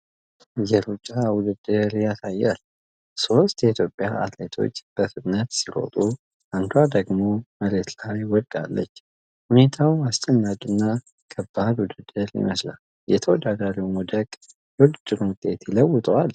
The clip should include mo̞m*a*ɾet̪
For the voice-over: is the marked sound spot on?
no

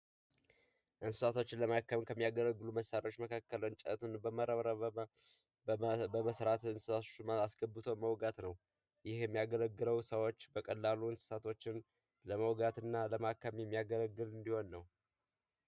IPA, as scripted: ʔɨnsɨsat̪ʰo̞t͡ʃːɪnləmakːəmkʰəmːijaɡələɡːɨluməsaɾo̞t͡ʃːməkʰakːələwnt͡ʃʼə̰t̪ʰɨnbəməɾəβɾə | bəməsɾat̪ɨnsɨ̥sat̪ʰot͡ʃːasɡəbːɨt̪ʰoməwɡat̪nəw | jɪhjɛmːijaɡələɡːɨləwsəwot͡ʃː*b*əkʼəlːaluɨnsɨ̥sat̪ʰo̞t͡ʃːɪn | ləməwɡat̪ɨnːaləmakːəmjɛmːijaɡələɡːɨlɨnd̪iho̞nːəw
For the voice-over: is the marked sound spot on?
yes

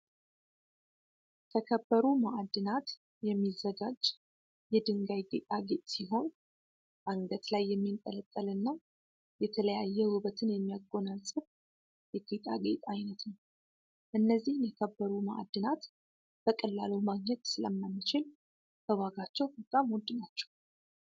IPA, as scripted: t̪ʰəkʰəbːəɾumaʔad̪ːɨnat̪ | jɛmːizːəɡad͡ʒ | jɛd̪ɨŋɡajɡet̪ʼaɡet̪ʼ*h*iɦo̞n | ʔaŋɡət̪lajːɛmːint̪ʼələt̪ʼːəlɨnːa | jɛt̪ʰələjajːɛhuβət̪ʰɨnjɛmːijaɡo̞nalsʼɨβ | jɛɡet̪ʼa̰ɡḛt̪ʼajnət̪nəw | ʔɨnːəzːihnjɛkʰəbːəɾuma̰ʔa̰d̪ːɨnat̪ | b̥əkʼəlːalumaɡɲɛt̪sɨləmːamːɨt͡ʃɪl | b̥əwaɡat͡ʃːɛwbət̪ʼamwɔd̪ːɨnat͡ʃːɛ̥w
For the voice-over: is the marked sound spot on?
no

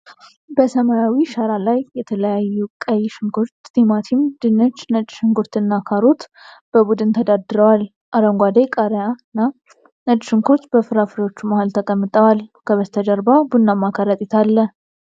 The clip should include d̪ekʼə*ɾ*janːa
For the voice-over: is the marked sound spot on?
yes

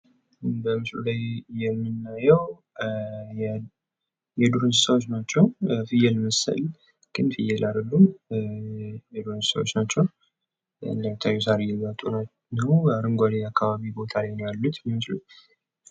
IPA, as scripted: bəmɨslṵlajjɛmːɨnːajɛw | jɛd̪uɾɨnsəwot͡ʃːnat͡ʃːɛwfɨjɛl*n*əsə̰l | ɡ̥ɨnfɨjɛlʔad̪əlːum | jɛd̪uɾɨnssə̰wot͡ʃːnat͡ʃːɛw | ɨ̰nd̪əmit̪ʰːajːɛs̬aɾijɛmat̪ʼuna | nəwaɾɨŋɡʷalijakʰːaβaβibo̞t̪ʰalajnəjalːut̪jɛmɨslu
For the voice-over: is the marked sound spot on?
no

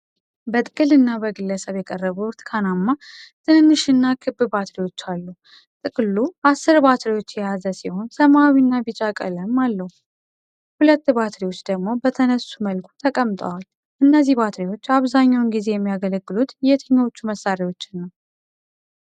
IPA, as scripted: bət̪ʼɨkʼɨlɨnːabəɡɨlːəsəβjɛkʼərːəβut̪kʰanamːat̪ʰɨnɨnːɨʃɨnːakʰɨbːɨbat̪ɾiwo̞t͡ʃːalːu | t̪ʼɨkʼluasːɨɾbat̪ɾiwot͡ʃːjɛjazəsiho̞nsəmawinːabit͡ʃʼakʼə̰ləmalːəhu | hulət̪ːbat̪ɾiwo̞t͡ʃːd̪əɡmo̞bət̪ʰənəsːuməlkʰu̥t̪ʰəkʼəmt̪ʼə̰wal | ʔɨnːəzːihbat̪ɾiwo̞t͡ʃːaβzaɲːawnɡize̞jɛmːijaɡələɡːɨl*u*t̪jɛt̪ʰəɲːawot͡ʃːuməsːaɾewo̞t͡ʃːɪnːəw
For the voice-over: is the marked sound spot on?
yes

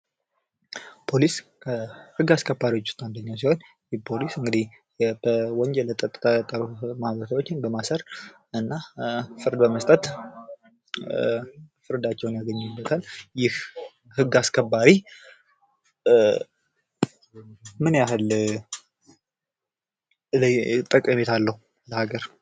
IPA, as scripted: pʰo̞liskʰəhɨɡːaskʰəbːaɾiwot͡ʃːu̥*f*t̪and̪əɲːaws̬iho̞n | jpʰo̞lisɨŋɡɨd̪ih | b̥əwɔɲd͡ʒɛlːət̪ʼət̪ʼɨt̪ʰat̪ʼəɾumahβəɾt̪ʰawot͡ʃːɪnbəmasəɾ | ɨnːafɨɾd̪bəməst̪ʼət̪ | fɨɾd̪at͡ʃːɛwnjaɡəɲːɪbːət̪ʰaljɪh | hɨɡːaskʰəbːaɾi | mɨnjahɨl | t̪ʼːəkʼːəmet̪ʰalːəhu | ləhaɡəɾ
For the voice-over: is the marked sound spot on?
no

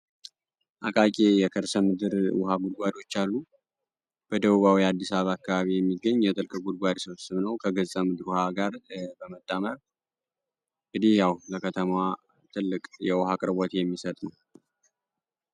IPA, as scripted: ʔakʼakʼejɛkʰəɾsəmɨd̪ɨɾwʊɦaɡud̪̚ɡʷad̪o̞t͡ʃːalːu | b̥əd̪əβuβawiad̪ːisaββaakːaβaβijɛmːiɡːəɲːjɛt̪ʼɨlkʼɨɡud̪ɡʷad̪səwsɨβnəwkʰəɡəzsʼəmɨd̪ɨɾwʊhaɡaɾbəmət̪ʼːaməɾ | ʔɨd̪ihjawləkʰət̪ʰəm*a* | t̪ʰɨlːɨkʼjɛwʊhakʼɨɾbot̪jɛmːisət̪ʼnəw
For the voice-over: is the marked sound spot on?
yes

